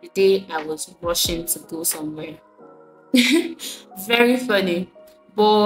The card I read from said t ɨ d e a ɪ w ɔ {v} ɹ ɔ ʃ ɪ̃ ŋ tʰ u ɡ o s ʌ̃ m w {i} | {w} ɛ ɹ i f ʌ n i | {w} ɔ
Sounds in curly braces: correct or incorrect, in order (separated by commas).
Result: incorrect, incorrect, incorrect, incorrect